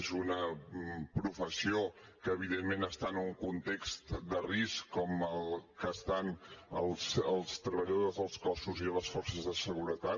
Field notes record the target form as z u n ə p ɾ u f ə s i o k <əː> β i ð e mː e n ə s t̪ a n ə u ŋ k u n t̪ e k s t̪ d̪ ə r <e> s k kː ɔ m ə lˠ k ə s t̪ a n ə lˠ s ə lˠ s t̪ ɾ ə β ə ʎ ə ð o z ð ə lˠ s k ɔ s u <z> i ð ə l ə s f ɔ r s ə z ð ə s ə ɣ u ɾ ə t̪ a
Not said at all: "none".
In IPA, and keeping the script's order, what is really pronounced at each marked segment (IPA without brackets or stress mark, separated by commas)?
əː, i, z